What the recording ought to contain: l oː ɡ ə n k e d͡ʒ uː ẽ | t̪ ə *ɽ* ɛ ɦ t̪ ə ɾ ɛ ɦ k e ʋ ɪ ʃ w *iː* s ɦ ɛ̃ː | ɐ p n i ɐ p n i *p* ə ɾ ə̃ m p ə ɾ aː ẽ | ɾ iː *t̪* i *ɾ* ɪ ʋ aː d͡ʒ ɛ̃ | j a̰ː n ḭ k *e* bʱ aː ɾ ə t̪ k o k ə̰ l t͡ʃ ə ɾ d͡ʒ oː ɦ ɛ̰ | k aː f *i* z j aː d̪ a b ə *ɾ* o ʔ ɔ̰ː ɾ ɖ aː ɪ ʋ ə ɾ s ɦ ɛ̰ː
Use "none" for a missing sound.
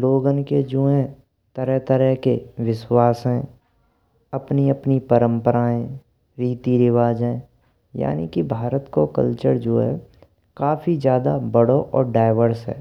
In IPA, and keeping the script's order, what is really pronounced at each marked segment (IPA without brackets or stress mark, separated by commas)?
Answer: ɾ, aː, p, t̪, ɾ, i, i, ɽ